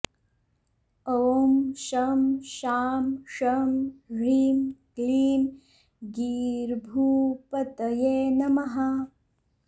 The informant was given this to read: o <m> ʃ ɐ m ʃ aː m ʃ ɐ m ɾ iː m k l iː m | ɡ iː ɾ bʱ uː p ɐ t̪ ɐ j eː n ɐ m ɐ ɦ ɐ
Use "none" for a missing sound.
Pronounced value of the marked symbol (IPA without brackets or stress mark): m